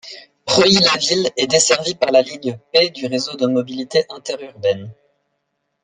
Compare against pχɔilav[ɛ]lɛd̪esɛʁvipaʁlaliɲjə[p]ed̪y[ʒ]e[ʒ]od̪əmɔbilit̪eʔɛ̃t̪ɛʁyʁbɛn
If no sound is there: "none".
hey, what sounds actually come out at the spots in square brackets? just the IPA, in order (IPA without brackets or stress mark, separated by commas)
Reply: i, p, ʁ, z